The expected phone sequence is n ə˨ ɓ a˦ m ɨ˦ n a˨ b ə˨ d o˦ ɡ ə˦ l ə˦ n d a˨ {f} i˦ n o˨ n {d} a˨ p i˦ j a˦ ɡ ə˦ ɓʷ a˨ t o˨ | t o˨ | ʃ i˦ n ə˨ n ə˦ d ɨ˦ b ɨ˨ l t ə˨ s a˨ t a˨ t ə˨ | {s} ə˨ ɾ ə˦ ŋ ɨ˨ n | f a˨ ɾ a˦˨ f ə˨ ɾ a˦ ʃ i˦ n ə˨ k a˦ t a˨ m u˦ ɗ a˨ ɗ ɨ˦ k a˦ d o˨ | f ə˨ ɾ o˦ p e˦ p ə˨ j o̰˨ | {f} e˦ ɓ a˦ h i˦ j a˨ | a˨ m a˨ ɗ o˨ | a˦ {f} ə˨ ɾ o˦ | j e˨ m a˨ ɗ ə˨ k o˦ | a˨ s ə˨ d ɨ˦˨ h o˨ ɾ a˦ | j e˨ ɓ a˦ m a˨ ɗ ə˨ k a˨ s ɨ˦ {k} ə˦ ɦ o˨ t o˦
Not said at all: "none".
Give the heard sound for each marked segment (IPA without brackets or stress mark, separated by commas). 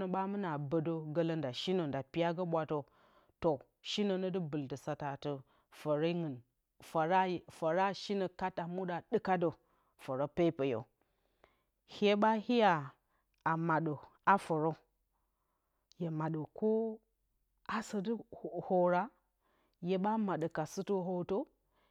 ʃ, d, f, h, f, t